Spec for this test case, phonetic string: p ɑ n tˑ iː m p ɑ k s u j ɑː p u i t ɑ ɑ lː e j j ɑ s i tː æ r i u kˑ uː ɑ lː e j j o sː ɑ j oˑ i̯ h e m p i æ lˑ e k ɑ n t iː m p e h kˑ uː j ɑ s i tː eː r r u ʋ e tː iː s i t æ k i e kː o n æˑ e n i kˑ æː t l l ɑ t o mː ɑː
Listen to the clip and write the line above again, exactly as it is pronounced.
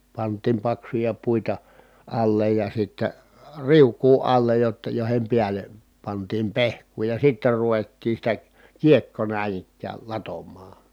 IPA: p ɑ n tˑ iː m p ɑ k s u j ɑ p u i t ɑ ɑ lː e j j ɑ s i tː æ r i u kˑ uː ɑ lː e j j o tː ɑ j oˑ i̯ h e m p i æ lˑ e p ɑ n t iː m p e h kˑ uː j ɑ s i tː e r r u ʋ e tː iː s i t æ k i e kː o n æˑ i n i kˑ æː l l ɑ t o mː ɑː